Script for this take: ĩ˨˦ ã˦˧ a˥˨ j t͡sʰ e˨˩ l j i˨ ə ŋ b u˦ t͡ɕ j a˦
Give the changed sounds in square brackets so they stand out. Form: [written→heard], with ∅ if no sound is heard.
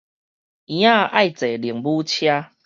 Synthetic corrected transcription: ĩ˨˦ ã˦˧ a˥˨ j [t͡sʰ→t͡s] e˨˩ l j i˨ ə ŋ b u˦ [t͡ɕ→t͡ɕʰ] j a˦